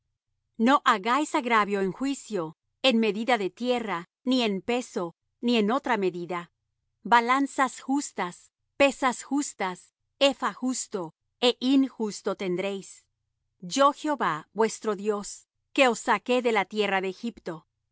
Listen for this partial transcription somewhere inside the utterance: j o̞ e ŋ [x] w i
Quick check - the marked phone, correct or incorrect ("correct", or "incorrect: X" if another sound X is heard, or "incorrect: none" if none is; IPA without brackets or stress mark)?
correct